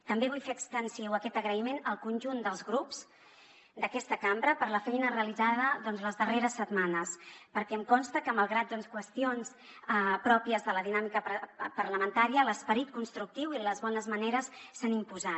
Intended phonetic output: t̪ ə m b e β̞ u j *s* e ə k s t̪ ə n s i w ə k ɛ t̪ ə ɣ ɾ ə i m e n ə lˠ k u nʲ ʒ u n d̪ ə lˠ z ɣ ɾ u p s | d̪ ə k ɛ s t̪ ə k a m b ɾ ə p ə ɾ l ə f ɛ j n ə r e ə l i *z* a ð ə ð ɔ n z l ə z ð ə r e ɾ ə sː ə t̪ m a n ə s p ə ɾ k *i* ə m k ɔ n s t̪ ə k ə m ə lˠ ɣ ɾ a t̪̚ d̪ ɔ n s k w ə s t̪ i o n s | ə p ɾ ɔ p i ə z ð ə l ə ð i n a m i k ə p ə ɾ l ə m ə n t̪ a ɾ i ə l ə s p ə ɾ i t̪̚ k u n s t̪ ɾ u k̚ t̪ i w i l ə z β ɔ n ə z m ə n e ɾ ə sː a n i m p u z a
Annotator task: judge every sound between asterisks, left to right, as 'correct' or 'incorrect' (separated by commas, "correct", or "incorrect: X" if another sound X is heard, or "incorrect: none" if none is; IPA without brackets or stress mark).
incorrect: f, correct, incorrect: ɛ